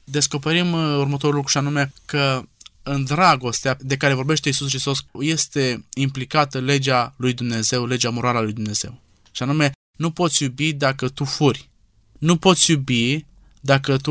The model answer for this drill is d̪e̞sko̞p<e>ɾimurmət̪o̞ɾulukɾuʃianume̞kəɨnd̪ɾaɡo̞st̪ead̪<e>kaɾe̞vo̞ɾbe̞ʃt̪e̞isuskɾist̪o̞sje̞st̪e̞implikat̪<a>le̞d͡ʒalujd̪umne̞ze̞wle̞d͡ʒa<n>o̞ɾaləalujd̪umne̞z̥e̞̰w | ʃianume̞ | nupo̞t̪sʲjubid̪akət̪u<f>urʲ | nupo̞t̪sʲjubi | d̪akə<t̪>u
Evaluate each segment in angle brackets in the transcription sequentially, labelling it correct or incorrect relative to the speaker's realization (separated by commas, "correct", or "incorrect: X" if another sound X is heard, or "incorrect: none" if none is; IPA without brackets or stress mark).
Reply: correct, correct, incorrect: ə, incorrect: m, correct, correct